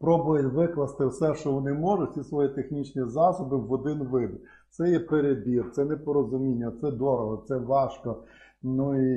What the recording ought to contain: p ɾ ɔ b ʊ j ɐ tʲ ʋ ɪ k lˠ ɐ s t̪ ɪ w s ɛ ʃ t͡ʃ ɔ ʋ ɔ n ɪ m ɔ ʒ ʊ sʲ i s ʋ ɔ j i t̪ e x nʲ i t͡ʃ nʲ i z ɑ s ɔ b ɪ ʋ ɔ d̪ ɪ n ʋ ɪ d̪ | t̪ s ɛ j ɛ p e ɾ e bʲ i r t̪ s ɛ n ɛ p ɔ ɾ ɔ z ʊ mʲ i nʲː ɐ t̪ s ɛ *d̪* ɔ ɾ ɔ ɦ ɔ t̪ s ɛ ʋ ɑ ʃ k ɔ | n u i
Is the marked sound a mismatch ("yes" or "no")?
no